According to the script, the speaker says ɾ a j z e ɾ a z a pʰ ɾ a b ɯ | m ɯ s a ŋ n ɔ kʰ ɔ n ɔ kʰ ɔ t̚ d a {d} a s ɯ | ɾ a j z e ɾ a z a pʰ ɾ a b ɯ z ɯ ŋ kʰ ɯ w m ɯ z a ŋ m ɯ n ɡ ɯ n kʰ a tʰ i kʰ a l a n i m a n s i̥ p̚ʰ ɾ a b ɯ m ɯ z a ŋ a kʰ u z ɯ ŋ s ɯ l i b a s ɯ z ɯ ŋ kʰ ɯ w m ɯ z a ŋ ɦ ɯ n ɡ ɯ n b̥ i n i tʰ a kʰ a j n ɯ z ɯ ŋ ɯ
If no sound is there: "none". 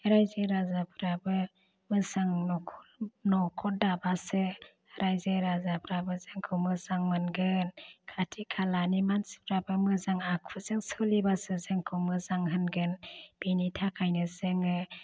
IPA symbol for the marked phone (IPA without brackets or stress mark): b